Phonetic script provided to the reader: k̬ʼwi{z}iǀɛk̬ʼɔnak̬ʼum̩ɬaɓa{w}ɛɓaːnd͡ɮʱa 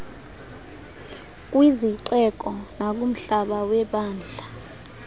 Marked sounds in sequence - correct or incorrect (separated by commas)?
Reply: correct, correct